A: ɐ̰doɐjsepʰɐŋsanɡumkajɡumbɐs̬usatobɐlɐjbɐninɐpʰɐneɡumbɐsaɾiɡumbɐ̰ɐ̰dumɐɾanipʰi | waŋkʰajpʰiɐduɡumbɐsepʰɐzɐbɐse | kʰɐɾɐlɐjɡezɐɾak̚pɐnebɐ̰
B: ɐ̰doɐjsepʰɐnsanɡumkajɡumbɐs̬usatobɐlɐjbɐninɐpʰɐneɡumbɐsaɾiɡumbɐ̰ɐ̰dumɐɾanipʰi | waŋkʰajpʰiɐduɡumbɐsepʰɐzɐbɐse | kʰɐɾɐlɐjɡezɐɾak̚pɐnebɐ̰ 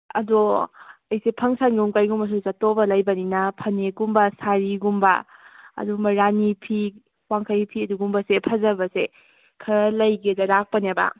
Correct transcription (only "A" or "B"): A